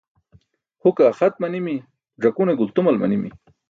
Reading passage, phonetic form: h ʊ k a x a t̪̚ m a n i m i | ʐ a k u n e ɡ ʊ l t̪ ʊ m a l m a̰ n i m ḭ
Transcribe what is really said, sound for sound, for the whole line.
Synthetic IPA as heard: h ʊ k a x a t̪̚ m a n i m i | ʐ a k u n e ɡ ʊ l t̪ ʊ m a l m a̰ n i m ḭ